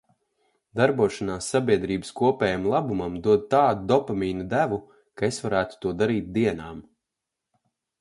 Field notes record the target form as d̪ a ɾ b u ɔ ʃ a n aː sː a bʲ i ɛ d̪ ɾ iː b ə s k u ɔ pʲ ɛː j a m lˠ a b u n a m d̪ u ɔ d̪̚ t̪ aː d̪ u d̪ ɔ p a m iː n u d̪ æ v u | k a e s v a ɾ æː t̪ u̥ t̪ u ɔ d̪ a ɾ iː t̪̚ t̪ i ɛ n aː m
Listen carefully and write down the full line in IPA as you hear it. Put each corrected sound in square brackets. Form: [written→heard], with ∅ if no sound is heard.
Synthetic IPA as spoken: d̪ a ɾ b u ɔ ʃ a n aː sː a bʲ i ɛ d̪ ɾ iː b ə s k u ɔ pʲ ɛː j a m lˠ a b u [n→m] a m d̪ u ɔ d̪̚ t̪ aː d̪ u d̪ ɔ p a m iː n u d̪ æ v u | k a e s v a ɾ æː t̪ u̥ t̪ u ɔ d̪ a ɾ iː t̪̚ [t̪→d̪] i ɛ n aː m